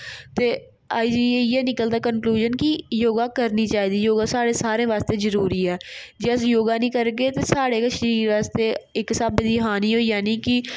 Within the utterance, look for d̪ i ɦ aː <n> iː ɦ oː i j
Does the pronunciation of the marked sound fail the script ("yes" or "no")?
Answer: no